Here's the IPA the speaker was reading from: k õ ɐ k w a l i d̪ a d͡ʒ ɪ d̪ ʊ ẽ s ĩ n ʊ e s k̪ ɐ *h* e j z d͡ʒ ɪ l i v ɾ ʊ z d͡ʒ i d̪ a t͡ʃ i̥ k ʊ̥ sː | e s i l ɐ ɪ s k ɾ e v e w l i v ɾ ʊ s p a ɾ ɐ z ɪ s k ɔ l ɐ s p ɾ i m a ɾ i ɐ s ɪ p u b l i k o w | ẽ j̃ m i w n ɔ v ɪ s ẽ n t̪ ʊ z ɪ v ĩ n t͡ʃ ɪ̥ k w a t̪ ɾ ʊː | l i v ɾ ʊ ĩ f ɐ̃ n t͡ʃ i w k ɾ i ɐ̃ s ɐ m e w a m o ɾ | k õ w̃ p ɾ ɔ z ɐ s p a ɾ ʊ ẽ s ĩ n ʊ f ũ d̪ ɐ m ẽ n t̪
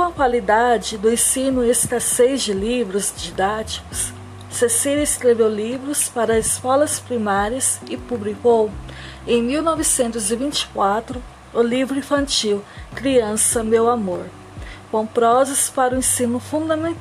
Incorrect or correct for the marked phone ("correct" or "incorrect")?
incorrect